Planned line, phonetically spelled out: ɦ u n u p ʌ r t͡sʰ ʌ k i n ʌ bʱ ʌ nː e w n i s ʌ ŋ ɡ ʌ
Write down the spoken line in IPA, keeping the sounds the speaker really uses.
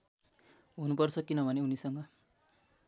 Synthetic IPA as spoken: ɦ u n u p ʌ r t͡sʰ ʌ k i n ʌ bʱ ʌ n e u n i s ʌ ŋ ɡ ʌ